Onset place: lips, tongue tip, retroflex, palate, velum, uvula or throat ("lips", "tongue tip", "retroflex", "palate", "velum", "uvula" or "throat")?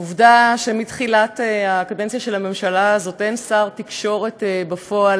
lips